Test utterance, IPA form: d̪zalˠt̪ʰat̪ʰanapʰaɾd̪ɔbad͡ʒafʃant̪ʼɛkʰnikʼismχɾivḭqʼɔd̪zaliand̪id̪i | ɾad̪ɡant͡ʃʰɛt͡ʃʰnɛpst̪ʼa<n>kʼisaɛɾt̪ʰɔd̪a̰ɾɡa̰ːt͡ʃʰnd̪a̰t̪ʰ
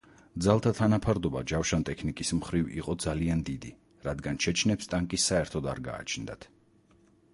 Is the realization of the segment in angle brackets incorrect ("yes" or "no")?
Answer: yes